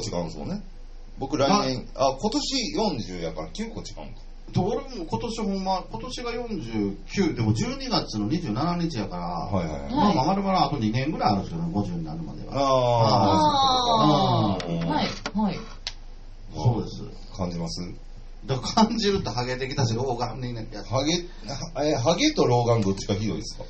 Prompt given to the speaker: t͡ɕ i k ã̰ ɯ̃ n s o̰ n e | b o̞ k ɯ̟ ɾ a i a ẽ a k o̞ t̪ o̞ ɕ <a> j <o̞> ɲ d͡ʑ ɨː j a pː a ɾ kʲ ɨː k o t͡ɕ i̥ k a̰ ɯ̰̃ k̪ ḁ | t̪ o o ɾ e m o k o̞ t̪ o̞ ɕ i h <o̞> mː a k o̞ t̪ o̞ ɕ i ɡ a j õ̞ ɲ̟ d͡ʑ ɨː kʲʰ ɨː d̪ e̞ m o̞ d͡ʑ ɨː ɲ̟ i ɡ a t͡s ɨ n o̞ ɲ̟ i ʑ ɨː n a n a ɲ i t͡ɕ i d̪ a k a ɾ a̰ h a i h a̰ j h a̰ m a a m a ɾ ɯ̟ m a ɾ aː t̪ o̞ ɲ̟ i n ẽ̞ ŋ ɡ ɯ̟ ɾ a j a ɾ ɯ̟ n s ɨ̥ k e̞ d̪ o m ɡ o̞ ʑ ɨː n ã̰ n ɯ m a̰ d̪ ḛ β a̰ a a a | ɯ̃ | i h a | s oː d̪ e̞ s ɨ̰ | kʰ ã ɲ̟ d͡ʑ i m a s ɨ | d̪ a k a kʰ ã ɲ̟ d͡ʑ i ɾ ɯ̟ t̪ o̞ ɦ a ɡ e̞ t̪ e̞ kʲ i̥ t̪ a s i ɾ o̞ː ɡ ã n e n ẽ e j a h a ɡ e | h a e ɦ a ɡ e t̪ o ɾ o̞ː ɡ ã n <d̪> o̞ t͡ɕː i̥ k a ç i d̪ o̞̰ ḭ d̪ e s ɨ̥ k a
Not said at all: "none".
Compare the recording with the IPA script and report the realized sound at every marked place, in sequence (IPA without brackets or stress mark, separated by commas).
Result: i, õ̞, õ̞, d̪